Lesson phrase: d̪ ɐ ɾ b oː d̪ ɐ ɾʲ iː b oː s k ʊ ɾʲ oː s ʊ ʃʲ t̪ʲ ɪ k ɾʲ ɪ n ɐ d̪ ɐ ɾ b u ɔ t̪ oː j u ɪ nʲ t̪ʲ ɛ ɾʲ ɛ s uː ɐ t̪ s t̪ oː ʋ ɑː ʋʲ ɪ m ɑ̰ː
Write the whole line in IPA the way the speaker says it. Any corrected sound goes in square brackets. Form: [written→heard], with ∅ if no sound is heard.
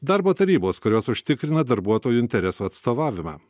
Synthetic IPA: d̪ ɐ ɾ b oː [d̪→t̪] ɐ ɾʲ iː b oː s k ʊ ɾʲ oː s ʊ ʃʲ t̪ʲ ɪ k ɾʲ ɪ n ɐ d̪ ɐ ɾ b u ɔ t̪ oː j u ɪ nʲ t̪ʲ ɛ ɾʲ ɛ s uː ɐ t̪ s t̪ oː ʋ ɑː ʋʲ ɪ m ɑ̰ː